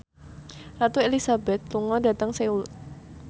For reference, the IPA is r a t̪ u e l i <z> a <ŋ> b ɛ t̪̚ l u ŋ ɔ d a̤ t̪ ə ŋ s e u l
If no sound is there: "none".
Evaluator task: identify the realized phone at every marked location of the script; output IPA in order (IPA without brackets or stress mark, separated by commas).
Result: s, none